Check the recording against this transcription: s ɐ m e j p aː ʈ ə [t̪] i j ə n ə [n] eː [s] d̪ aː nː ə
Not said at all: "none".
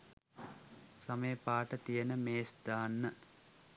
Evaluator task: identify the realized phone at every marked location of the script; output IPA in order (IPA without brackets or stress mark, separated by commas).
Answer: t̪, m, s